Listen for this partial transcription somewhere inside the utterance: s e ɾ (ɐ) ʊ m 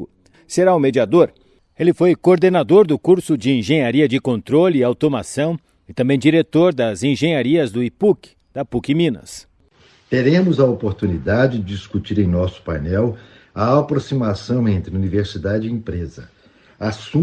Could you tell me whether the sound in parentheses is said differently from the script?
yes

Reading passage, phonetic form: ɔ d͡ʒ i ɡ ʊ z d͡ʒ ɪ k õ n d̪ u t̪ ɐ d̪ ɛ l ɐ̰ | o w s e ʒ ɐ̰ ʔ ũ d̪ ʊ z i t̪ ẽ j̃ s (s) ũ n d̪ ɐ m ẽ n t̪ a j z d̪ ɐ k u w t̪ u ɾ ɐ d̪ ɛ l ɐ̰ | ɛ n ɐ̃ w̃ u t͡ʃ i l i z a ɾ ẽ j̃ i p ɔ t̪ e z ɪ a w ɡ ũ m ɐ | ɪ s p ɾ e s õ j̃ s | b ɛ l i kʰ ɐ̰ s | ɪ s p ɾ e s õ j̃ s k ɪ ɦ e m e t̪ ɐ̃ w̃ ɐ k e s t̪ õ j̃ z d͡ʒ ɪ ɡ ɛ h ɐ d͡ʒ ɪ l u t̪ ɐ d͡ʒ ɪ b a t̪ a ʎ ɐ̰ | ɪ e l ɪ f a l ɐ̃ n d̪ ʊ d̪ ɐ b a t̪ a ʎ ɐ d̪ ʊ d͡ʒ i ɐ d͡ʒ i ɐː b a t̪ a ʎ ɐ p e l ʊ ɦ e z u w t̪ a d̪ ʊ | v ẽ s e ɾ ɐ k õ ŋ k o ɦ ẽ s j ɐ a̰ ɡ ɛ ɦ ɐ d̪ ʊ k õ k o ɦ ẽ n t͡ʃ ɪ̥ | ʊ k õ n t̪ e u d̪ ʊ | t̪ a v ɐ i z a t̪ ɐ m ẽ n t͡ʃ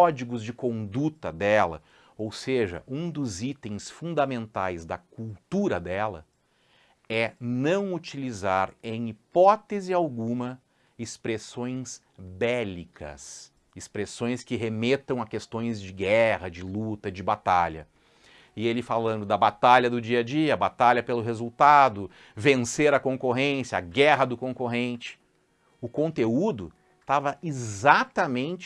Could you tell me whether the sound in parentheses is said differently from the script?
yes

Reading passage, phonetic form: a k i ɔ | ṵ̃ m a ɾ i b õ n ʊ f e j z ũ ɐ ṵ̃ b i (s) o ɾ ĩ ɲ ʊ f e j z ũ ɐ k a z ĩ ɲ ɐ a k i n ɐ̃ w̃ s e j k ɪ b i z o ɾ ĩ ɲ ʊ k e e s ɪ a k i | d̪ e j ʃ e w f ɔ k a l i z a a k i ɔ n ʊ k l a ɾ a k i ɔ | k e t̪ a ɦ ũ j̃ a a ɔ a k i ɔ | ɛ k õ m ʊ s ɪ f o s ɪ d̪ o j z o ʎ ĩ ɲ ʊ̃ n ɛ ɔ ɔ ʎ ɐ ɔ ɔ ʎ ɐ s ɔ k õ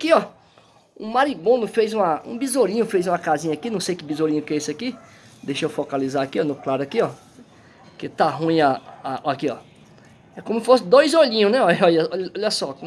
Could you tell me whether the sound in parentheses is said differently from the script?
yes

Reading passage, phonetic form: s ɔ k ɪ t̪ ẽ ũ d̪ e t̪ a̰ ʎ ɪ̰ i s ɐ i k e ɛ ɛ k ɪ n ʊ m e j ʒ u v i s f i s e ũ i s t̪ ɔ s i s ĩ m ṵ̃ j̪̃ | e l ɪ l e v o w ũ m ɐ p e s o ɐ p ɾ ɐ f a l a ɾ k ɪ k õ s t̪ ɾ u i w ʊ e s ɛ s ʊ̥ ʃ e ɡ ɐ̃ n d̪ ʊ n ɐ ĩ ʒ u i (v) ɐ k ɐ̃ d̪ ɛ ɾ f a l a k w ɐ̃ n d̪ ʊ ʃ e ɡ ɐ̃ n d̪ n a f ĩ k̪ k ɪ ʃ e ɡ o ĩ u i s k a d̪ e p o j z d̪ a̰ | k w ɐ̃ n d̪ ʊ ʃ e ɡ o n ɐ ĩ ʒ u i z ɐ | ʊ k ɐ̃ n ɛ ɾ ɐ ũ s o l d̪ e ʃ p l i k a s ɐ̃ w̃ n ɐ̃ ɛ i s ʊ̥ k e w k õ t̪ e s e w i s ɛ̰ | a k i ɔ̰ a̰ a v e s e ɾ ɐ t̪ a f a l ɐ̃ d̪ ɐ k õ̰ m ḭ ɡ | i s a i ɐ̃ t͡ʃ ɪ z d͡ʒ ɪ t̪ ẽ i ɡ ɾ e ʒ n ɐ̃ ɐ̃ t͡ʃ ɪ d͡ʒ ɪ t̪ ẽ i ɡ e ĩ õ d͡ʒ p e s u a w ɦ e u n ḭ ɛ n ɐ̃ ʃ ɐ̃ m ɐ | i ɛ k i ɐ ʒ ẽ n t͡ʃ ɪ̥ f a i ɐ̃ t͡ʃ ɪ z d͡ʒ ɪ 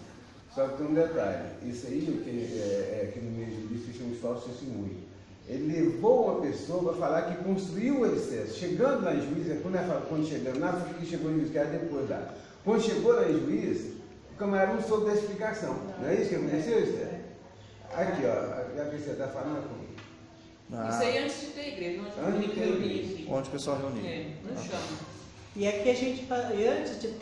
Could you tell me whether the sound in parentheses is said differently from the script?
yes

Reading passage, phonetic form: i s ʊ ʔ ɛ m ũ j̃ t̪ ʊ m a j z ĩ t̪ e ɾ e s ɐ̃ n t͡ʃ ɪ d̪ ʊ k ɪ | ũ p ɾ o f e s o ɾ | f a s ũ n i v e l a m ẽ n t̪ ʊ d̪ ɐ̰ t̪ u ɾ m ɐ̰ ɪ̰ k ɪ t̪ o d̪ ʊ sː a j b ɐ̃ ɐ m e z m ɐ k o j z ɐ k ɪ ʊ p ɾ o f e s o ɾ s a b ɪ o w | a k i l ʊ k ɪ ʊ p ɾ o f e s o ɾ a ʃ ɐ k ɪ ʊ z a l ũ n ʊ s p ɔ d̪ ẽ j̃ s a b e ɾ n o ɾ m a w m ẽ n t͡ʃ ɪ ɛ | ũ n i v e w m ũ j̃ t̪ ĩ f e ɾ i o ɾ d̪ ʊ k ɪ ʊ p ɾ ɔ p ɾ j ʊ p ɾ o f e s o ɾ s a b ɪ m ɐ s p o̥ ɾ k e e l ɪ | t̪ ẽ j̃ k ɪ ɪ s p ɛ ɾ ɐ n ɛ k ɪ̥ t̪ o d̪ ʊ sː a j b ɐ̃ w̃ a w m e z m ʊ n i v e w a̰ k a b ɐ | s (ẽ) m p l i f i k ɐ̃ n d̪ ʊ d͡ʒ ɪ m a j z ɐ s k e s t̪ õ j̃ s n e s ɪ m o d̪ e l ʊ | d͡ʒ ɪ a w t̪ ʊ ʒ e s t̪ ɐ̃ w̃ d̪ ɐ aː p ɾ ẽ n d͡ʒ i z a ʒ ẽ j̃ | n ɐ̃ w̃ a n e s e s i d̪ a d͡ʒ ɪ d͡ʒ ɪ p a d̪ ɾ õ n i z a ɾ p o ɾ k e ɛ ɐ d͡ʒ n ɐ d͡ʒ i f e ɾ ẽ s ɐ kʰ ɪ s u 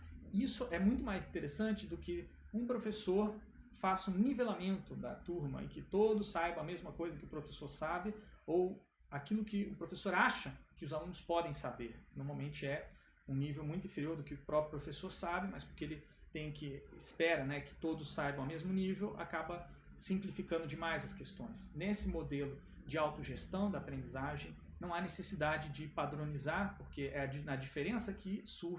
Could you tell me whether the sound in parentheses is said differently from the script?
yes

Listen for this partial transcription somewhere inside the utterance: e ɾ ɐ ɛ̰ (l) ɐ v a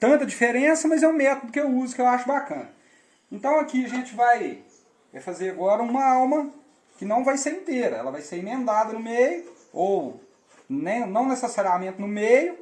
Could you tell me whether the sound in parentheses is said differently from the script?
no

